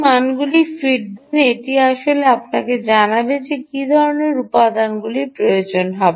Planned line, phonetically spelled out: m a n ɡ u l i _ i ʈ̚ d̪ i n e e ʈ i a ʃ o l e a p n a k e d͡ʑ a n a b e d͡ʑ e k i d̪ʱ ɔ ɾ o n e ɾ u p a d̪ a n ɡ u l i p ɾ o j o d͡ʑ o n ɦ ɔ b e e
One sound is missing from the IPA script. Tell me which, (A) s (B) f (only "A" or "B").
B